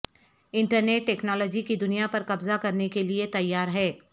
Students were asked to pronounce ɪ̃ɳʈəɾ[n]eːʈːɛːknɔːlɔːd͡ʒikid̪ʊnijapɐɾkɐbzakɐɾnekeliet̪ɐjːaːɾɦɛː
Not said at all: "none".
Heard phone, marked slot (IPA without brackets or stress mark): n